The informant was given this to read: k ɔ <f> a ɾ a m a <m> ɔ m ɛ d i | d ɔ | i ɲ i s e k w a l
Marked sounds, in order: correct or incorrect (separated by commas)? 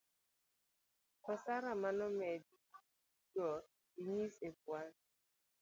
incorrect, incorrect